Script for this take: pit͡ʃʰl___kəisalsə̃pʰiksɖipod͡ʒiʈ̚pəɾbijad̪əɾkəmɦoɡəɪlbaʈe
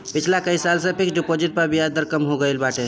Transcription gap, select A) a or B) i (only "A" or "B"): A